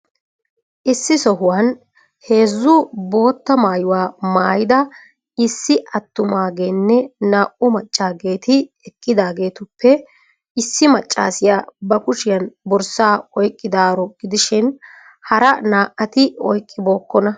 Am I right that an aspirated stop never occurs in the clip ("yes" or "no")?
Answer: yes